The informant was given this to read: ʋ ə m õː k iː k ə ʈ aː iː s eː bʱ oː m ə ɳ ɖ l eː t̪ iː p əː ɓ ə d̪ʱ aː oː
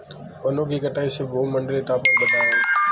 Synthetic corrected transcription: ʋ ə n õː k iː k ə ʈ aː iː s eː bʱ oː m ə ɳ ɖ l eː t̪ aː p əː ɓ ə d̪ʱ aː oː